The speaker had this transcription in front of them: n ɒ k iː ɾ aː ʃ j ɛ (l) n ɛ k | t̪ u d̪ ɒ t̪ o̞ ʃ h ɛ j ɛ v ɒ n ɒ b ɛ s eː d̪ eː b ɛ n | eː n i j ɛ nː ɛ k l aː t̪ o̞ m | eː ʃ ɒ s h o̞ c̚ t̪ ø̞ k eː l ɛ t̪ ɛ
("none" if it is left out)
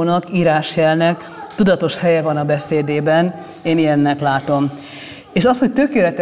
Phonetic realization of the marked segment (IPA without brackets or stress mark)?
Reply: l